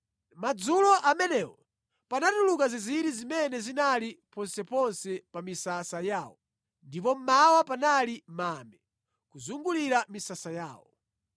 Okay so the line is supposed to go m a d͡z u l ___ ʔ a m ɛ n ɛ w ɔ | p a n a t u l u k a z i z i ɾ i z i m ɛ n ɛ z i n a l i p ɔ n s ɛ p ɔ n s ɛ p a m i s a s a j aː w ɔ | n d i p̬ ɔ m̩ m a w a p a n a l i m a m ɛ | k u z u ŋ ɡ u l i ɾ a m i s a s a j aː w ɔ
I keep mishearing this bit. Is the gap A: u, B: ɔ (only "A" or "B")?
B